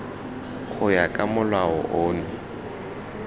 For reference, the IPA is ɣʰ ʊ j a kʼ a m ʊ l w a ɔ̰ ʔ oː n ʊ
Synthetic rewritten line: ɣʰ ʊ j a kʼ a m ʊ l w a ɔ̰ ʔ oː n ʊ